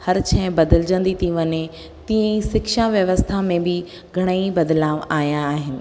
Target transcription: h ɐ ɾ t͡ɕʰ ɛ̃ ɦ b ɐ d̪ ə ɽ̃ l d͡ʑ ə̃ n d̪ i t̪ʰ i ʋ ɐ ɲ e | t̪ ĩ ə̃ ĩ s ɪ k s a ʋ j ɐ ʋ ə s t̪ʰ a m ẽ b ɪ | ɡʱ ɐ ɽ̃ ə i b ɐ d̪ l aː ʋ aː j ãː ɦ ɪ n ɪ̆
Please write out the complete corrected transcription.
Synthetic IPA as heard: h ɐ ɾ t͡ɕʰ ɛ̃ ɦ b ɐ d̪ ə l d͡ʑ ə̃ n d̪ i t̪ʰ i ʋ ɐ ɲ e | t̪ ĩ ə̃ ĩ s ɪ k ʃ a ʋ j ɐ ʋ ə s t̪ʰ a m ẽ b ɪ | ɡʱ ɐ ɽ̃ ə i b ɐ d̪ l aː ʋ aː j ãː ɦ ɪ n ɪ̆